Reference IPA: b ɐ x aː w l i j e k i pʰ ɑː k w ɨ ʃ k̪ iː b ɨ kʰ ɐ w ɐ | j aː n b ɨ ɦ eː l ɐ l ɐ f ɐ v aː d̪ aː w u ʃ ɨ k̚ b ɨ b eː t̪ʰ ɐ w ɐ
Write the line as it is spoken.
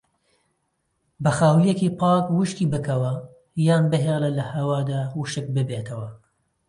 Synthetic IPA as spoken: b ɐ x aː w l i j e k i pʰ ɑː k w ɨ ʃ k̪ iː b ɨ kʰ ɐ w ɐ | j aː n b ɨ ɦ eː l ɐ l ɐ h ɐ w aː d̪ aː w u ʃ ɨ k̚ b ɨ b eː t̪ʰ ɐ w ɐ